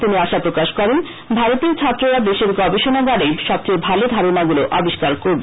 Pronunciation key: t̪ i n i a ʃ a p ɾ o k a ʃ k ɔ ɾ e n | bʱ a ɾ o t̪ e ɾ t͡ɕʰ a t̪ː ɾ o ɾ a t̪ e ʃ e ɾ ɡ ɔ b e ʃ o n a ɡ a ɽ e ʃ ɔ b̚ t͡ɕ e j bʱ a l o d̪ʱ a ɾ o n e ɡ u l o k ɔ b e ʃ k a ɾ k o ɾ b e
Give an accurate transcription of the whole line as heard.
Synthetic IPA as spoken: t̪ i n i a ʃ a p ɾ o k a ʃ k ɔ ɾ e n | bʱ a ɾ o t̪ e ɾ t͡ɕʰ a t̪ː ɾ o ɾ a d̪ e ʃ e ɾ ɡ ɔ b e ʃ o n a ɡ a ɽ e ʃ ɔ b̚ t͡ɕ e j bʱ a l o d̪ʱ a ɾ o n a ɡ u l o ʔ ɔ b i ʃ k a ɾ k o ɾ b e

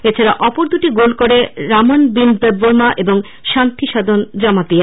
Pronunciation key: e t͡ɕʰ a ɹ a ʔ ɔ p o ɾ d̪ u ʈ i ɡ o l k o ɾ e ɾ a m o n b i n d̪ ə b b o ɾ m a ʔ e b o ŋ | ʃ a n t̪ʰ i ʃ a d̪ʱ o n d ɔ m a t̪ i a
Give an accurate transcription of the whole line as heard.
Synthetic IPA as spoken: e t͡ɕʰ a ɾ a ʔ ɔ p o ɾ d̪ u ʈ i ɡ o l k o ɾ e ɾ a m o n b i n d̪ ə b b o ɾ m a ʔ e b o ŋ | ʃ a n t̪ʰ i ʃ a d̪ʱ o n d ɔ m a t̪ i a

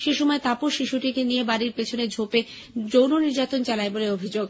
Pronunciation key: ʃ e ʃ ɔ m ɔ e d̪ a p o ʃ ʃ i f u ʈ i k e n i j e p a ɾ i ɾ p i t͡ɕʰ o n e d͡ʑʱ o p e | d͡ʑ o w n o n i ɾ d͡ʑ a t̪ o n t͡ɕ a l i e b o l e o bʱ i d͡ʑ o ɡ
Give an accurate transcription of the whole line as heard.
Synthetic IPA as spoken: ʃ e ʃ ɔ m ɔ e t̪ a p o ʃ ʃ i ʃ u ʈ i k e n i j e b a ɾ i ɾ p e t͡ɕʰ o n e d͡ʑʱ o p e | d͡ʑ o w n o n i ɾ d͡ʑ a t̪ o n t͡ɕ a l a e b o l e o bʱ i d͡ʑ o ɡ

